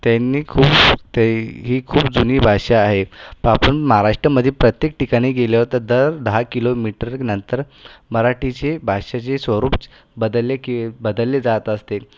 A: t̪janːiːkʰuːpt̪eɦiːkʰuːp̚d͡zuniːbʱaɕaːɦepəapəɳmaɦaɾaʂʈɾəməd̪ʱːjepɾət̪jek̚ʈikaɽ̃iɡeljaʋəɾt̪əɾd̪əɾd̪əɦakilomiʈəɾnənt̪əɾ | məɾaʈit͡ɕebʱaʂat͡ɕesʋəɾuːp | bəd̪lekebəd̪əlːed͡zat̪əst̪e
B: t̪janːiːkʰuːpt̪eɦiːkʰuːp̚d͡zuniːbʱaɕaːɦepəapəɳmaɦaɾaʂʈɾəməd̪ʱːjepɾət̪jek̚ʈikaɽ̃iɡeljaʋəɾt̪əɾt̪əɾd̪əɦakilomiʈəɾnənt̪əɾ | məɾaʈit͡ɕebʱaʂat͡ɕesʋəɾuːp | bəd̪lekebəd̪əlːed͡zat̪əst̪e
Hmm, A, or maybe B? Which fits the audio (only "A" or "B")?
A